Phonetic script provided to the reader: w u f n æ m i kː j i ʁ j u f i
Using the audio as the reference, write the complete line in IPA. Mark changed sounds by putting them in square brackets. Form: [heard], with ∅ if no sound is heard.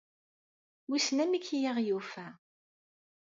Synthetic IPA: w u [s] n æ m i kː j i ʁ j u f [æ]